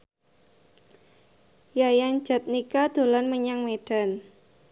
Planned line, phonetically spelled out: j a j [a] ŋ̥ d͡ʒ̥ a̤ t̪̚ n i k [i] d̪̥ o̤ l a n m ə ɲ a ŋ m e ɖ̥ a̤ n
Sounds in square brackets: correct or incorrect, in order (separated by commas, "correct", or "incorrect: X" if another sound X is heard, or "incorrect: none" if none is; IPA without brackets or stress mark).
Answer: correct, incorrect: a